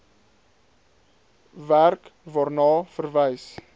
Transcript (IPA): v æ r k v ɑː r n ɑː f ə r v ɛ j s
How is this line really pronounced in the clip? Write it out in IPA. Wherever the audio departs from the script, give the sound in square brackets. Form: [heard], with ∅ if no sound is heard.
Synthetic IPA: v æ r k v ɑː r n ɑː f ə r v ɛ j s

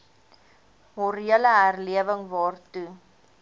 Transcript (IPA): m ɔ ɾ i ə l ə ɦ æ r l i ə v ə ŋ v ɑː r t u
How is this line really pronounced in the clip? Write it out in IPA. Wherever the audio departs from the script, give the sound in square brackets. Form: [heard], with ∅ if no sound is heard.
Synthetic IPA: m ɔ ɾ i ə l ə ɦ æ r l i ə v ə ŋ v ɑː r t u

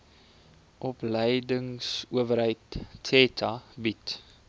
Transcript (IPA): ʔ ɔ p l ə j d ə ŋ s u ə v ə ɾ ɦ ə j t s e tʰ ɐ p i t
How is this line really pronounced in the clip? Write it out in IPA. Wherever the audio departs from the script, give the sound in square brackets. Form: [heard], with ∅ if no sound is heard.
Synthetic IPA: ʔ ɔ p l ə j d ə ŋ s u ə v ə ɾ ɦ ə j t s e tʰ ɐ [b] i t

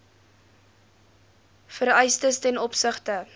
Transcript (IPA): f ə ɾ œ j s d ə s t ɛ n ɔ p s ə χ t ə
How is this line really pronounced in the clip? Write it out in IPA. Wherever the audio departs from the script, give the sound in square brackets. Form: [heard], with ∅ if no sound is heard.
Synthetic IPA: f ə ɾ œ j s [t] ə s t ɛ n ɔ p s ə χ t ə

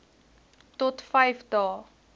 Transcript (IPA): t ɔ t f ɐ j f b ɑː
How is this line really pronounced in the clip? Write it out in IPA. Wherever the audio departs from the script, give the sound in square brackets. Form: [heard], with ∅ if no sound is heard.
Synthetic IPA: t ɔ t f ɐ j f [d] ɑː

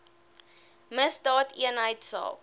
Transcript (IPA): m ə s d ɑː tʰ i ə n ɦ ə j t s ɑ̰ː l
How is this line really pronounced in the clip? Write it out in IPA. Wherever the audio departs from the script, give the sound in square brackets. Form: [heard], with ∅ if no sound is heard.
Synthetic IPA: m ə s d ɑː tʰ i ə n ɦ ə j t s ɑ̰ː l

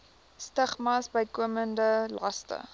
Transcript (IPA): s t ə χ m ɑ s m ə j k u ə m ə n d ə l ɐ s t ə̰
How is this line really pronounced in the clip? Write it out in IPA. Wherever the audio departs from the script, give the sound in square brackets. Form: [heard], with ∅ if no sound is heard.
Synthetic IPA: s t ə χ m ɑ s [b] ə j k u ə m ə n d ə l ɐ s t ə̰

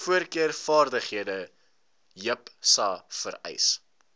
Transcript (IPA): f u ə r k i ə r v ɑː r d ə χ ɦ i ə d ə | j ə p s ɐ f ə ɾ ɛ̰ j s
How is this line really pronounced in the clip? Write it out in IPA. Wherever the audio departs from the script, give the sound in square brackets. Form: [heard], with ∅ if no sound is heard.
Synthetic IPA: f u ə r k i ə r [f] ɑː r d ə χ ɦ i ə d ə | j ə p s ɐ f ə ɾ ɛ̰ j s

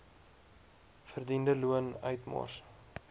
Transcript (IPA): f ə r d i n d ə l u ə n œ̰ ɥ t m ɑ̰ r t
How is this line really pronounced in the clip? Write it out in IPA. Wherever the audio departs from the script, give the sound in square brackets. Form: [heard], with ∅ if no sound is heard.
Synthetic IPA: f ə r d i n d ə l u ə n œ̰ ɥ t m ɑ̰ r [s]

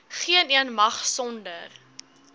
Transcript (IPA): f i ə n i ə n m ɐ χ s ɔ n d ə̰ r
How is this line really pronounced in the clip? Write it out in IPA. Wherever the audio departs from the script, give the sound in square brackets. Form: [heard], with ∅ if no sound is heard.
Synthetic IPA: [χ] i ə n i ə n m ɐ χ s ɔ n d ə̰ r

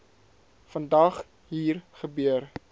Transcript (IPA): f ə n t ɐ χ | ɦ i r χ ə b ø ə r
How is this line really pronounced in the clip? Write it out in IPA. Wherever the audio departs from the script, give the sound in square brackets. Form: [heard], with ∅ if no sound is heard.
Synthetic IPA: f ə n [d] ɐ χ | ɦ [iː] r χ ə b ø ə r

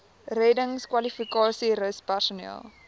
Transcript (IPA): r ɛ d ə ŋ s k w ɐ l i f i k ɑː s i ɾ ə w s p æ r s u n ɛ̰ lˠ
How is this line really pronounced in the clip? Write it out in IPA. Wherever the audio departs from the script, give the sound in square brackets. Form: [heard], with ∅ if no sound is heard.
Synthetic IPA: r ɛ d ə ŋ s k w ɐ l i f i k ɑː s i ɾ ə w s p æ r s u n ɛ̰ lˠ

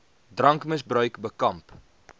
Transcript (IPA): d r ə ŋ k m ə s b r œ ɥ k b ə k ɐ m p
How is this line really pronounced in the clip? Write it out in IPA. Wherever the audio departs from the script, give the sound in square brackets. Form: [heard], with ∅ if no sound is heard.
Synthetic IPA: d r [ɐ] ŋ k m ə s b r œ ɥ k b ə k ɐ m p

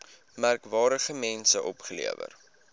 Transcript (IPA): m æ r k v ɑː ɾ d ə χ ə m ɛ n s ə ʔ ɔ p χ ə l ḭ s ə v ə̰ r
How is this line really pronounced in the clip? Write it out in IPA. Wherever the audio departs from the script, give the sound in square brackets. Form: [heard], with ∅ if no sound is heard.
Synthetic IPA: m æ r k v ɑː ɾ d ə χ ə m ɛ n s ə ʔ ɔ p χ ə l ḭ [∅] ə v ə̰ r

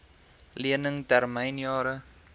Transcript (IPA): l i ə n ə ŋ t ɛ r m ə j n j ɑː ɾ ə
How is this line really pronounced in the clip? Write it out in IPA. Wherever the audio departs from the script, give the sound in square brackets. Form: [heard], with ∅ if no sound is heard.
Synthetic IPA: l i ə n ə ŋ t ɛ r m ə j n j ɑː ɾ ə

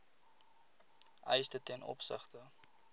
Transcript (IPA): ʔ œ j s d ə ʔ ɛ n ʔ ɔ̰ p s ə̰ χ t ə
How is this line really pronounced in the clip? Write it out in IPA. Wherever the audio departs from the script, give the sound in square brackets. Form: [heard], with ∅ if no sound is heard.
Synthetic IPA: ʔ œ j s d ə [t] ɛ n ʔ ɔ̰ p s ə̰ χ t ə

